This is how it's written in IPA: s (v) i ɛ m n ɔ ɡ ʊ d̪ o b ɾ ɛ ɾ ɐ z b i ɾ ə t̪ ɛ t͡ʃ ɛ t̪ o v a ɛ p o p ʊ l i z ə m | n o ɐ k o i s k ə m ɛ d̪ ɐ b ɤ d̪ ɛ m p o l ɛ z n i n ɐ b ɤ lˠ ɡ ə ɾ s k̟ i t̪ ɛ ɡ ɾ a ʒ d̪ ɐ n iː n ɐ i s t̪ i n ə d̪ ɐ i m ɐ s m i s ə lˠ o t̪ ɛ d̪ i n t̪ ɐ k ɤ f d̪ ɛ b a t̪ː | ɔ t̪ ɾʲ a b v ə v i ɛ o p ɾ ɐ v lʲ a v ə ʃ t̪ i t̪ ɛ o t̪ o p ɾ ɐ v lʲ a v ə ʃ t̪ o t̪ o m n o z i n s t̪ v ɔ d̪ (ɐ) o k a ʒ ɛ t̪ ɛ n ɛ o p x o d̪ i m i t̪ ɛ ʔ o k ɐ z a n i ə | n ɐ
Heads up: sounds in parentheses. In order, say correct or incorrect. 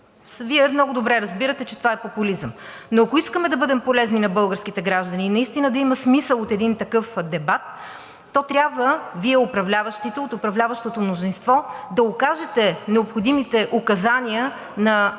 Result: correct, correct

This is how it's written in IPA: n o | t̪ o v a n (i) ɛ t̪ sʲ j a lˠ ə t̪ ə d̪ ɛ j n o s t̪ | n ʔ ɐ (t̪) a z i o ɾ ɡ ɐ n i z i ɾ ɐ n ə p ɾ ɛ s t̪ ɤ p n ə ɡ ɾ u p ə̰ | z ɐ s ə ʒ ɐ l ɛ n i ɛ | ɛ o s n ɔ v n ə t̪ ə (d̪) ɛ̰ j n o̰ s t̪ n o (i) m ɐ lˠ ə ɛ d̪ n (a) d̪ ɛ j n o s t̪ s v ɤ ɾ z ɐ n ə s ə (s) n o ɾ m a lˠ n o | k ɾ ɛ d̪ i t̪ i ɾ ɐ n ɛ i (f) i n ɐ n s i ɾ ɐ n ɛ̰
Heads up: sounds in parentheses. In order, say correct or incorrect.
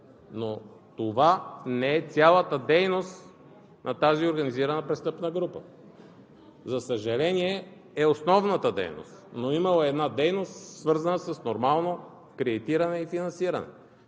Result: incorrect: ɛ, correct, correct, correct, correct, correct, correct

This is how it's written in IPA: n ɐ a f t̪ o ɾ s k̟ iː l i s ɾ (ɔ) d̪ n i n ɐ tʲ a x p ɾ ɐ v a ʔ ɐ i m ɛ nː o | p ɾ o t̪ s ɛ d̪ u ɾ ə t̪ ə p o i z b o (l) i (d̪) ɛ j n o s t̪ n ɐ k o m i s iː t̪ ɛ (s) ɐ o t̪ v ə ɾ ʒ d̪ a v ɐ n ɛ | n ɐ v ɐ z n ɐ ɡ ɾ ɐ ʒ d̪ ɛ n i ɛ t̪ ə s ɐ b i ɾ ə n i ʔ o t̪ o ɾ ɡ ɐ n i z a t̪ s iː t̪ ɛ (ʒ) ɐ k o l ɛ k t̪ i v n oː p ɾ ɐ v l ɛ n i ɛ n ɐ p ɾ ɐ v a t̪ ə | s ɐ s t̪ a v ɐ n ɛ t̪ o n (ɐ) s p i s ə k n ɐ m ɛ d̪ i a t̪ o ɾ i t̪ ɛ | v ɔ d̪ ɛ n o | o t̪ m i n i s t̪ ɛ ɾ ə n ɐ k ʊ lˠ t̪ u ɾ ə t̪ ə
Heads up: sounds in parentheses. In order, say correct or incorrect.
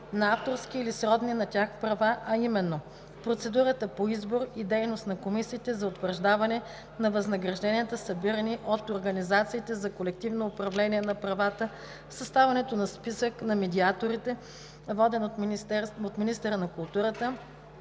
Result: correct, incorrect: ɾ, correct, incorrect: z, incorrect: z, correct

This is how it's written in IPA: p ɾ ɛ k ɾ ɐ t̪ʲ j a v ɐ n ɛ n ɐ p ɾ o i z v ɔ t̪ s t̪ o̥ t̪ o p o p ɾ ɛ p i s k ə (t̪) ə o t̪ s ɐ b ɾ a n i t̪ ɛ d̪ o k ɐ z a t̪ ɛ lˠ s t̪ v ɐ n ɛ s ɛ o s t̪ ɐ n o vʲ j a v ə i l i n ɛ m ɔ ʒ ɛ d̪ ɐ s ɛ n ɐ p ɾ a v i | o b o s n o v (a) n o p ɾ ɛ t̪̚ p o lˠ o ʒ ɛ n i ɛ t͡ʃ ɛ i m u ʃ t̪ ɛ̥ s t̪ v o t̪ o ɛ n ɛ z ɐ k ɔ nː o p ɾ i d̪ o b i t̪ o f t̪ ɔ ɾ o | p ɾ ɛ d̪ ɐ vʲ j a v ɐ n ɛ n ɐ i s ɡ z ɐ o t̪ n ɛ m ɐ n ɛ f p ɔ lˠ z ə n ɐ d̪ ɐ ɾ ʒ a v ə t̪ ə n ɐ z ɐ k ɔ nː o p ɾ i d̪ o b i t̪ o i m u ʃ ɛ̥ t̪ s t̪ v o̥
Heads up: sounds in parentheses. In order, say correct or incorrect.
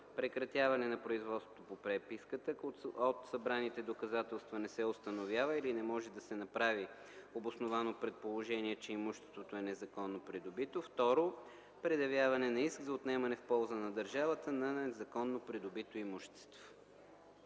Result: correct, correct

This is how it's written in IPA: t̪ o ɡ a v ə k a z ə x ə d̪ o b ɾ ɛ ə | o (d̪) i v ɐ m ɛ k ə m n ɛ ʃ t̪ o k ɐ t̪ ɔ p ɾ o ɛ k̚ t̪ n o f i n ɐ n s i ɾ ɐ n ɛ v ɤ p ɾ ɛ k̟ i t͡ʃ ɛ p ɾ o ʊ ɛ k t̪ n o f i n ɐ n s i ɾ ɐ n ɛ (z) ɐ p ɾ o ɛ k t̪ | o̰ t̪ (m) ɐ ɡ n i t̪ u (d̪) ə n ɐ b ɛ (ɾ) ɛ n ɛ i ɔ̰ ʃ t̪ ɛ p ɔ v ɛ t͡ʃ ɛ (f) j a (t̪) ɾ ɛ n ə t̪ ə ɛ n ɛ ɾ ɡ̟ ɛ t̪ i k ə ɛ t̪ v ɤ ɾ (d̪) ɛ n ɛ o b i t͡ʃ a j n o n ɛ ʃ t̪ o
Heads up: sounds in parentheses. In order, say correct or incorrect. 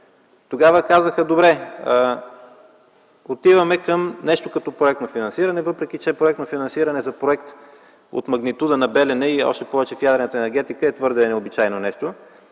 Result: incorrect: t̪, correct, correct, correct, incorrect: l, correct, incorrect: d̪, correct

